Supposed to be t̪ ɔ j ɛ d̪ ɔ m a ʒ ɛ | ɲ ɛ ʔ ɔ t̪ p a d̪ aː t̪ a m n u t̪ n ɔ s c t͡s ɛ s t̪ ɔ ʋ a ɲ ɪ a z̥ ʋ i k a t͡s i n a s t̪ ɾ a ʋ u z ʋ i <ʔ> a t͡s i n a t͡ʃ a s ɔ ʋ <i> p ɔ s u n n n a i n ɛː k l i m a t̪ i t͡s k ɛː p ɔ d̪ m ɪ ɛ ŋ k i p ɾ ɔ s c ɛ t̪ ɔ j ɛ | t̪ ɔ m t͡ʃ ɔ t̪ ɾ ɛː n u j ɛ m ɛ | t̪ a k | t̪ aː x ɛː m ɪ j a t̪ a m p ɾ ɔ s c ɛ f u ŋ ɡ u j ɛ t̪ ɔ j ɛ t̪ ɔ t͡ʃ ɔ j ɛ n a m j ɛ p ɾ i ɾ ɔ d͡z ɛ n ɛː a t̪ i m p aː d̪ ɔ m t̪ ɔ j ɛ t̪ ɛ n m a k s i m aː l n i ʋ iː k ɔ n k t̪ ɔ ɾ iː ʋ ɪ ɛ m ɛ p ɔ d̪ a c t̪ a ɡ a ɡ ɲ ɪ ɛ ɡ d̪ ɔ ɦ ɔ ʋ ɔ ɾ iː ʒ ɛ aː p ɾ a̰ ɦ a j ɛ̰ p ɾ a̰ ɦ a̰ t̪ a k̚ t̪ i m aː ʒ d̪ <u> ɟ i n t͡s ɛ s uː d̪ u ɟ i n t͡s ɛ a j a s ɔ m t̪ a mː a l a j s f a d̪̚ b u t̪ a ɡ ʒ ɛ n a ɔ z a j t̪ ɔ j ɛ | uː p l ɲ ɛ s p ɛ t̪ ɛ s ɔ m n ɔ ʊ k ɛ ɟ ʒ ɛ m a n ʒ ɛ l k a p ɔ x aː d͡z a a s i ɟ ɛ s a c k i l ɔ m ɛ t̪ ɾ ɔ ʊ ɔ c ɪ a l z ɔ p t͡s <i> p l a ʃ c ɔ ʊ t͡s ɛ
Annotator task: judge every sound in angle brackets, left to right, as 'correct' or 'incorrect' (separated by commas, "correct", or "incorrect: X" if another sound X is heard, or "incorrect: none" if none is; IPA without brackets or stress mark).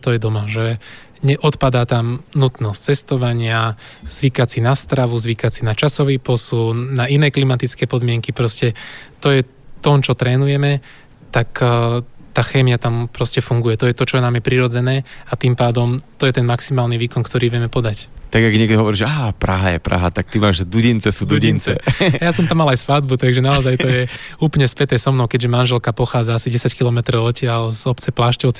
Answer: incorrect: k, incorrect: iː, correct, incorrect: ɛ